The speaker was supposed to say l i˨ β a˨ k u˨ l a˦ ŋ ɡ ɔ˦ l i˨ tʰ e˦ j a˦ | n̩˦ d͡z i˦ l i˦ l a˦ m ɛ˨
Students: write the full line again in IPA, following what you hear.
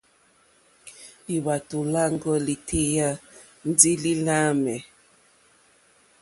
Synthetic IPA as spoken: l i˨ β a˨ t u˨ l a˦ ŋ ɡ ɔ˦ l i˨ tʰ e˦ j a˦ | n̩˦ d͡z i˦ l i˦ l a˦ m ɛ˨

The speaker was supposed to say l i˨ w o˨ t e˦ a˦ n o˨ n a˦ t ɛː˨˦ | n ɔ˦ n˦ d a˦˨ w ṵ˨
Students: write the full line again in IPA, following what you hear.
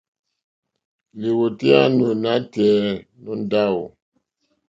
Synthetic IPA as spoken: l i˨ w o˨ t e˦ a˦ n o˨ n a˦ t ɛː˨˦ | n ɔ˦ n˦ d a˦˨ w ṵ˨

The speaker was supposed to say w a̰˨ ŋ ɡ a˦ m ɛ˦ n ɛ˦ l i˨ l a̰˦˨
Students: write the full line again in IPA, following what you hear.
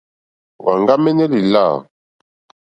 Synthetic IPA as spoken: w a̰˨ ŋ ɡ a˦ m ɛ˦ n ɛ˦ l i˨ l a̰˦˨

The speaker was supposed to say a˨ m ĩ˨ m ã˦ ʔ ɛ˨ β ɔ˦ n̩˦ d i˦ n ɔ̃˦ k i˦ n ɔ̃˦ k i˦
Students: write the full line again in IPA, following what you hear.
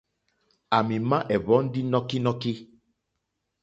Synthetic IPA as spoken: a˨ m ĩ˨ m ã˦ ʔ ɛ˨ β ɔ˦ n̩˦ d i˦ n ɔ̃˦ k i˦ n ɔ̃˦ k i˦

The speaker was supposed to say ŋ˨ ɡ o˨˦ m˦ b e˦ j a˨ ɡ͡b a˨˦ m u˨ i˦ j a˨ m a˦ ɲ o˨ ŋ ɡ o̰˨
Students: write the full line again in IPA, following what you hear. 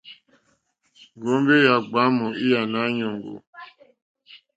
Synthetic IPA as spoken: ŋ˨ ɡ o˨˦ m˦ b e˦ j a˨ ɡ͡b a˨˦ m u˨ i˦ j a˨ n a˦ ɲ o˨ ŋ ɡ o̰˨

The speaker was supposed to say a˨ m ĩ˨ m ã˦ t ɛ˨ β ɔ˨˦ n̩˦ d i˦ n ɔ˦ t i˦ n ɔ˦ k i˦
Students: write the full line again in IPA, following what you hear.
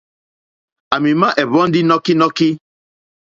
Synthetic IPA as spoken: a˨ m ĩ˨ m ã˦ ʔ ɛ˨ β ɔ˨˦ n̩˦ d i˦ n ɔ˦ k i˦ n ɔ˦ k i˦

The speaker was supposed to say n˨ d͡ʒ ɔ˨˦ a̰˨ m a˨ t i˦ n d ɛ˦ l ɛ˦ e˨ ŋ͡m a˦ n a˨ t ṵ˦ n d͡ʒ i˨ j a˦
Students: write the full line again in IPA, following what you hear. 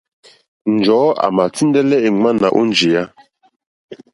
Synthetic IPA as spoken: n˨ d͡ʒ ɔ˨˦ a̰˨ m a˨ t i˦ n d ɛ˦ l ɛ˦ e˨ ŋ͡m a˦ n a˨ ʔ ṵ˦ n d͡ʒ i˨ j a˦

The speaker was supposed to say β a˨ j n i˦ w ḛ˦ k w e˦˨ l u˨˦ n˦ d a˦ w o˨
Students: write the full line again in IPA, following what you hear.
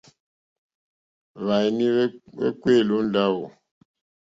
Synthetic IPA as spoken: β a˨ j n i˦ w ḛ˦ k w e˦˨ l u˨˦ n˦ d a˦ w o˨

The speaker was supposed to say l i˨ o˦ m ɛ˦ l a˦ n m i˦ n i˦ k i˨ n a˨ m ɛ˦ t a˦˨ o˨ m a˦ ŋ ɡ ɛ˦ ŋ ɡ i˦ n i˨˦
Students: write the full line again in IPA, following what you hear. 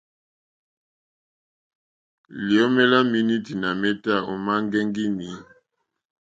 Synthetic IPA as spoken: l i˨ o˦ m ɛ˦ l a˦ m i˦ n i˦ t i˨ n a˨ m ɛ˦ t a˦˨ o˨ m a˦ ŋ ɡ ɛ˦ ŋ ɡ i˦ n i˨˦

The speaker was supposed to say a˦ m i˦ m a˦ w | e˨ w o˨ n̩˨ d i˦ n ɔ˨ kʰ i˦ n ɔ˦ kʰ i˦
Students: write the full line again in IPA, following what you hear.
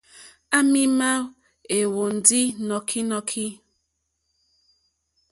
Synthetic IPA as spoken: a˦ m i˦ m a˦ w | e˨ w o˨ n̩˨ d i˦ n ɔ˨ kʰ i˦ n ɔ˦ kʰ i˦

